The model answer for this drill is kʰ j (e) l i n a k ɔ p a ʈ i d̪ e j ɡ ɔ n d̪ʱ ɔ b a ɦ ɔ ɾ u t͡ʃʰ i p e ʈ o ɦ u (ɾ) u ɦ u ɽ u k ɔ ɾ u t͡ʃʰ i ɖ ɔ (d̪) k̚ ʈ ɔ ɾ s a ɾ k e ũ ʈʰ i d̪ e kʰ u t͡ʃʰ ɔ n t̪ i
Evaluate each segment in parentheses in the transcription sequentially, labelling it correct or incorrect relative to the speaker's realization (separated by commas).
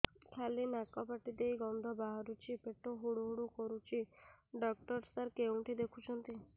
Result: incorrect, incorrect, incorrect